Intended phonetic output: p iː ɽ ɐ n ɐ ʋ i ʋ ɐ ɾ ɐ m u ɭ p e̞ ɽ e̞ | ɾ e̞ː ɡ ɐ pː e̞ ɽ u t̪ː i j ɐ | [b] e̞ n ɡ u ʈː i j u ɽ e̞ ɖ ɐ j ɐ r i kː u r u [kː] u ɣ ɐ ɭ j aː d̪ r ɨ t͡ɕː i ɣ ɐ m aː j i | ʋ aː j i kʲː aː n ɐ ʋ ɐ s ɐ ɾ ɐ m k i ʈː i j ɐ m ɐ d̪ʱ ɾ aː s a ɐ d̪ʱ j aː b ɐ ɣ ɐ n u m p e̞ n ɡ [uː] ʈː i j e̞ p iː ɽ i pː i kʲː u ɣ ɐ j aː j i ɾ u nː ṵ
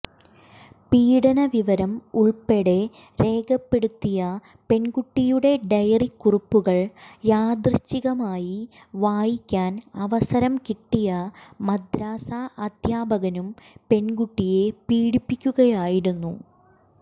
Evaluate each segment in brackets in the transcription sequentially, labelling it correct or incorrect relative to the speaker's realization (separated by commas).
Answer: incorrect, incorrect, incorrect